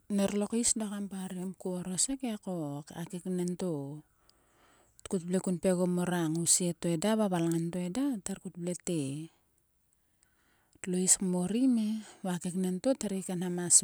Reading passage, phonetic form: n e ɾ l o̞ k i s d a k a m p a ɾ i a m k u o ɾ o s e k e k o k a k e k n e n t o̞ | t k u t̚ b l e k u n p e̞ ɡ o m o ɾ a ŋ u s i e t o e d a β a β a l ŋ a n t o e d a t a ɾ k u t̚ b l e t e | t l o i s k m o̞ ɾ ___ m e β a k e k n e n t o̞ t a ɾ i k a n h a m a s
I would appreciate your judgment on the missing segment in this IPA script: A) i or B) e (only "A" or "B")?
A